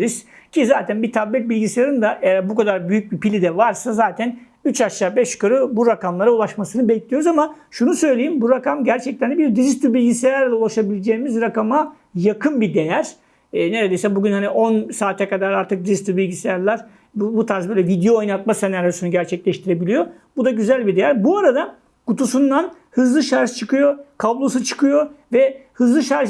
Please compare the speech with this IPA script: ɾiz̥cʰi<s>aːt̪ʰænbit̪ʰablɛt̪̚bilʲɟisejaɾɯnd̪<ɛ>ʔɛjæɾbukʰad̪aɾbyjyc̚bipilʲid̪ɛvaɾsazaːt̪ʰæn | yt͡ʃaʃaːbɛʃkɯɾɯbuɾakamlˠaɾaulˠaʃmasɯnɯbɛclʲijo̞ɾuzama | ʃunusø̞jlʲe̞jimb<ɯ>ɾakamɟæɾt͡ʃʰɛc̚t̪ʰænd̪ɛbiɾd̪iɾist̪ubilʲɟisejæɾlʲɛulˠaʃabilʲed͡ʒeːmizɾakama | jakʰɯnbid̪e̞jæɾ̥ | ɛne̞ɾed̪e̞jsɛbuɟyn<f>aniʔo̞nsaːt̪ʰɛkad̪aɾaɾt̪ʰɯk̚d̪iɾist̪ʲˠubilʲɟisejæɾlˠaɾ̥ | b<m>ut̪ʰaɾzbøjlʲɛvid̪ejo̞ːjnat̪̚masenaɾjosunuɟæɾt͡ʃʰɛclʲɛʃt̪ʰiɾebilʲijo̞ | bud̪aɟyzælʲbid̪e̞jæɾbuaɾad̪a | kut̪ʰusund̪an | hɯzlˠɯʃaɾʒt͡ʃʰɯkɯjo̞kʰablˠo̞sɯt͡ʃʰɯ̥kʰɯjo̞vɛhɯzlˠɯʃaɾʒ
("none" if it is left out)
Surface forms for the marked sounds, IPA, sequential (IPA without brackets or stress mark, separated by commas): z, a, u, h, b